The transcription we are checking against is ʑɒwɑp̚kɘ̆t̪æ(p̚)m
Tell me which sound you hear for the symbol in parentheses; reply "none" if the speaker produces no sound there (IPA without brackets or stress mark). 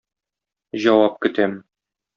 none